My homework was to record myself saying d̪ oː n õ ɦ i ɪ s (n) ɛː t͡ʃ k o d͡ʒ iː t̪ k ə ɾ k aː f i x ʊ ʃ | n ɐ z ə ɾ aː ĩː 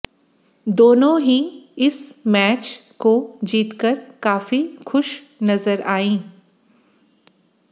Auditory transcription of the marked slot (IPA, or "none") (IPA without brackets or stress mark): m